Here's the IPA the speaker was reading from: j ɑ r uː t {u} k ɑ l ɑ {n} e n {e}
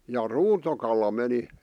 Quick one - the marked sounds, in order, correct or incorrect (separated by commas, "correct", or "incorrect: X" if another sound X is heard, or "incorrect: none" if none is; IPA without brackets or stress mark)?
incorrect: o, incorrect: m, incorrect: i